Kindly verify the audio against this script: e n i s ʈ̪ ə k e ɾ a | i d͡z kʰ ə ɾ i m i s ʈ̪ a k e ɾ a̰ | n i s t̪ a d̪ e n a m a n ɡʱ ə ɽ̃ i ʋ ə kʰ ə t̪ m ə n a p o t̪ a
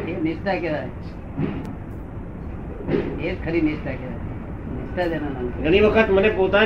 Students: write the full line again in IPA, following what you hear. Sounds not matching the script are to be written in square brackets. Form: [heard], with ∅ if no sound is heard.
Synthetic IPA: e n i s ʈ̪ [a] k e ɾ a | [e] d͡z kʰ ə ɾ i [n] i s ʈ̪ a k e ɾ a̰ | n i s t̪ a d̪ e n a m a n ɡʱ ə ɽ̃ i ʋ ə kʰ ə t̪ m ə n [e] p o t̪ a